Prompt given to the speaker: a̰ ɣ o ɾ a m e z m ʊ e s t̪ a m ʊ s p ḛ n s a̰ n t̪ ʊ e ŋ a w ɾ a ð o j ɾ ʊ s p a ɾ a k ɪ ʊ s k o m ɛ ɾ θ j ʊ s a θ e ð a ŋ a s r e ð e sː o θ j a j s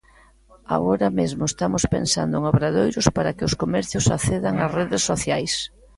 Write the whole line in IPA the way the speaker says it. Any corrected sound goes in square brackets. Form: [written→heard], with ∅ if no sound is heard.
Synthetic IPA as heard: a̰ ɣ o ɾ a m e z m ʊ e s t̪ a m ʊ s p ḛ n s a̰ n [t̪→d̪] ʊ e ŋ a [w→β] ɾ a ð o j ɾ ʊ s p a ɾ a k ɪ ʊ s k o m ɛ ɾ θ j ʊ s a θ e ð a ŋ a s r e ð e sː o θ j a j s